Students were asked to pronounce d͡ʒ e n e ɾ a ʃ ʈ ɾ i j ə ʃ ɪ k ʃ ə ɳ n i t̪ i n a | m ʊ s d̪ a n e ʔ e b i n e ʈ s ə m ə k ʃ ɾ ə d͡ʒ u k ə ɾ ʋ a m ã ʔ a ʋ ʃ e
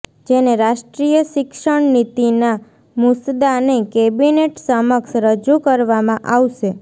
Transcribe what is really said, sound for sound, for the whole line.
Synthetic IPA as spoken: d͡ʒ e n e ɾ a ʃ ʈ ɾ i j ə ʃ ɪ k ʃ ə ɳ n i t̪ i n a | m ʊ s d̪ a n e k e b i n e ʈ s ə m ə k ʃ ɾ ə d͡ʒ u k ə ɾ ʋ a m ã ʔ a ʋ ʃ e